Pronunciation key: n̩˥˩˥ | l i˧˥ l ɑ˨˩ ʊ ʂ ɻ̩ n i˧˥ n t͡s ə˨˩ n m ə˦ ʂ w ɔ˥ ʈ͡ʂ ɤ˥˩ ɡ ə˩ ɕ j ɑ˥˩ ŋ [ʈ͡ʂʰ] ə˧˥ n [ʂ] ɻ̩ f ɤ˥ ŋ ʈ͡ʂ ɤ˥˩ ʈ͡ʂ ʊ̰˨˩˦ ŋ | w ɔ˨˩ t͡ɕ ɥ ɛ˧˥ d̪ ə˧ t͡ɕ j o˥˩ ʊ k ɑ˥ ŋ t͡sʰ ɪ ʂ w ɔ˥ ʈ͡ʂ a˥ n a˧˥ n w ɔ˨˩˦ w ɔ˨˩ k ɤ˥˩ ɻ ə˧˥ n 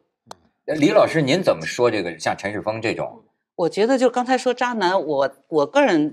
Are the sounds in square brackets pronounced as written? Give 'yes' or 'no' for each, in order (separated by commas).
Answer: yes, yes